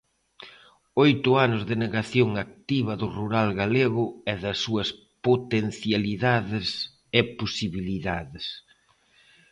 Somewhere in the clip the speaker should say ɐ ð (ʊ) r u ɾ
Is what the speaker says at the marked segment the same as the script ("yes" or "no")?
yes